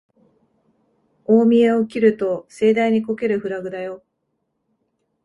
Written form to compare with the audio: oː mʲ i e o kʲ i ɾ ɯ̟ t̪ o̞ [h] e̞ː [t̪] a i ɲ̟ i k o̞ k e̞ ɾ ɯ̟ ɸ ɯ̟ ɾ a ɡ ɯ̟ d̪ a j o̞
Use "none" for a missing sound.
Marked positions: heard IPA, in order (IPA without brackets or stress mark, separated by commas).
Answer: s, d̪